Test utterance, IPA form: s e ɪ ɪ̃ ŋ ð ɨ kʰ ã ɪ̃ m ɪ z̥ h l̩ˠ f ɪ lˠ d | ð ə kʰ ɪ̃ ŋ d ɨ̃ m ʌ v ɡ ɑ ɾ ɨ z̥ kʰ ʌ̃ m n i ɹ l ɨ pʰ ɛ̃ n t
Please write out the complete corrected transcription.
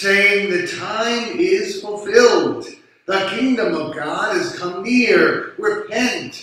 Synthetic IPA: s e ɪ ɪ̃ ŋ ð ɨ tʰ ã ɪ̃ m ɪ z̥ f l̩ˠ f ɪ lˠ d | ð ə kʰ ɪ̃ ŋ d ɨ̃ m ʌ v ɡ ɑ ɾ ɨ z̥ kʰ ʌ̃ m n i ɹ ɹ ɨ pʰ ɛ̃ n t